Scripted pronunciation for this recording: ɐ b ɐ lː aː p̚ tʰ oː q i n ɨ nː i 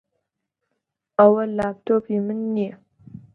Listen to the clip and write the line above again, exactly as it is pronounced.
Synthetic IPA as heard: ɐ w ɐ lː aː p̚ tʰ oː p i m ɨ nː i